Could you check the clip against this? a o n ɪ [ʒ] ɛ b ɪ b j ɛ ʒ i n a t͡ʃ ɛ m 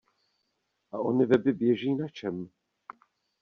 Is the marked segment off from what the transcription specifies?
yes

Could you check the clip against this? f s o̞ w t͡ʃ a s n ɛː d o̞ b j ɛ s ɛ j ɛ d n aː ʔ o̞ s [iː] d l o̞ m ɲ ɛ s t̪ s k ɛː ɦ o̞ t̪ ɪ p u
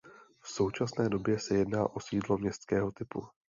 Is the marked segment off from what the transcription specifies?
no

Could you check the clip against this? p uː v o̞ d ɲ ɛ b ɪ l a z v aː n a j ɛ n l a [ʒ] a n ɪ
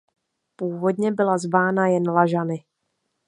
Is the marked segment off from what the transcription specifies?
no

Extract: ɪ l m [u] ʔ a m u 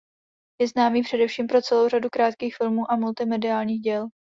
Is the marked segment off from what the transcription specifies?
yes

